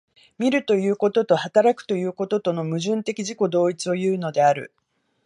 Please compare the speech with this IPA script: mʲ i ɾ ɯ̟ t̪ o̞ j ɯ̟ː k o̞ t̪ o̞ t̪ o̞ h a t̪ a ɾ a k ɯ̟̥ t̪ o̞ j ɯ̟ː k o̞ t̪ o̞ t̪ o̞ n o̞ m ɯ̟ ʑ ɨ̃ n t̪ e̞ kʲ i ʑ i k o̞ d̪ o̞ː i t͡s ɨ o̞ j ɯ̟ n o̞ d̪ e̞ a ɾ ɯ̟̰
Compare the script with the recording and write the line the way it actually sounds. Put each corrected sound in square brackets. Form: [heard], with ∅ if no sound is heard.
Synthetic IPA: mʲ i ɾ ɯ̟ t̪ o̞ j ɯ̟ː k o̞ t̪ o̞ t̪ o̞ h a t̪ a ɾ a k ɯ̟̥ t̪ o̞ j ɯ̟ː k o̞ t̪ o̞ t̪ o̞ n o̞ m ɯ̟ ʑ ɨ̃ n t̪ e̞ kʲ i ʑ i k o̞ d̪ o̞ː i t͡s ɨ o̞ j [ɯ̟ː] n o̞ d̪ e̞ a ɾ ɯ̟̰